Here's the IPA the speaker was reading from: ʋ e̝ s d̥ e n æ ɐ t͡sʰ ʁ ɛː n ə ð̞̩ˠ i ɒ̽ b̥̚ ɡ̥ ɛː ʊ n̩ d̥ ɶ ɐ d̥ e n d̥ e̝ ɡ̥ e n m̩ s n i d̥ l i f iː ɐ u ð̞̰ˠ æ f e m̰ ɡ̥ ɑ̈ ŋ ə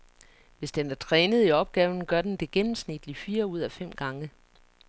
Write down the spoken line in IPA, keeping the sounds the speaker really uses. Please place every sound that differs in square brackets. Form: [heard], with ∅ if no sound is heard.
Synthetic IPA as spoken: ʋ e̝ s d̥ e n æ ɐ t͡sʰ ʁ ɛː n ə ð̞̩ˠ i ɒ̽ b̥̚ ɡ̥ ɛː ʊ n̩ [ɡ̥] ɶ ɐ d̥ e n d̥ e̝ ɡ̥ e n m̩ s n i d̥ l i f iː ɐ u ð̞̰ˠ æ f e m̰ ɡ̥ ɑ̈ ŋ ə